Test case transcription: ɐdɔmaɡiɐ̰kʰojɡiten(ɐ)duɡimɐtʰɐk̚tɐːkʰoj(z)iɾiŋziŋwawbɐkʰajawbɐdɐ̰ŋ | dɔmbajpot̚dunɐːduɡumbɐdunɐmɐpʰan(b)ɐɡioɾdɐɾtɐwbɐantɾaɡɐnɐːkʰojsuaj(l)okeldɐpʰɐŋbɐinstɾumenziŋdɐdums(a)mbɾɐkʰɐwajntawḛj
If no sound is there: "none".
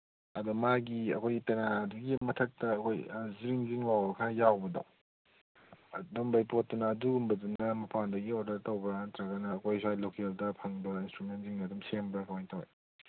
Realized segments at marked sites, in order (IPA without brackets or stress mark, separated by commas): a, z, d, l, e